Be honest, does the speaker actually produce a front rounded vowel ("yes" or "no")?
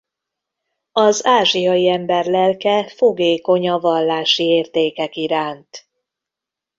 no